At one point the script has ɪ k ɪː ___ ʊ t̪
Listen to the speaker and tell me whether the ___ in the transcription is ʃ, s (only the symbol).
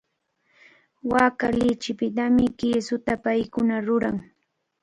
s